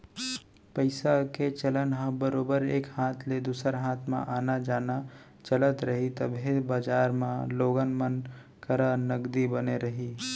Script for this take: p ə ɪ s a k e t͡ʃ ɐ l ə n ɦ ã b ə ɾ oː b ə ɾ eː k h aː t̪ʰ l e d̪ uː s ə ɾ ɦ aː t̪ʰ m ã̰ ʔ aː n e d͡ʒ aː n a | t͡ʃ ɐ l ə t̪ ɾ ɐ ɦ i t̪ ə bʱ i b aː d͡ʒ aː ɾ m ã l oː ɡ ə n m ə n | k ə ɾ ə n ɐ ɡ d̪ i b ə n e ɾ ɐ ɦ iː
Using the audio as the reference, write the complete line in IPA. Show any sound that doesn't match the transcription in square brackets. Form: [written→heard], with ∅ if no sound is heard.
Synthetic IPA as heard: p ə ɪ s a k e t͡ʃ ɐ l ə n ɦ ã b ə ɾ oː b ə ɾ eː k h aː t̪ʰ l e d̪ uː s ə ɾ ɦ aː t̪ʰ m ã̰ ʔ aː n [e→a] d͡ʒ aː n a | t͡ʃ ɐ l ə t̪ ɾ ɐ ɦ i t̪ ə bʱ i b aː d͡ʒ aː ɾ m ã l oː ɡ ə n m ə n | k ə ɾ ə n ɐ ɡ d̪ i b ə n e ɾ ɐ ɦ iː